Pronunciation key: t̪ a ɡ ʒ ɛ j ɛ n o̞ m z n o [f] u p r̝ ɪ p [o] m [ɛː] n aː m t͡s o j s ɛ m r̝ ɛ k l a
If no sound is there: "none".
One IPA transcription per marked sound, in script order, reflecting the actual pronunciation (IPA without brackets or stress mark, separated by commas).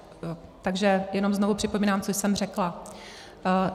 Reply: v, o, iː